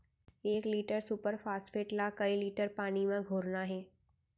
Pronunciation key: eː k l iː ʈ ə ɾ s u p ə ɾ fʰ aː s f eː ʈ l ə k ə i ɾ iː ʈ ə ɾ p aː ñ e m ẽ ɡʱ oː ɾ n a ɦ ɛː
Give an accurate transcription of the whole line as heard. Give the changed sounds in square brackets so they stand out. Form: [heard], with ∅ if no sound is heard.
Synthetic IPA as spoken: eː k l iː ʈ ə ɾ s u p ə ɾ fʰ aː s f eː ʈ l [a] k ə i [l] iː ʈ ə ɾ p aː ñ [i] m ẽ ɡʱ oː ɾ n a ɦ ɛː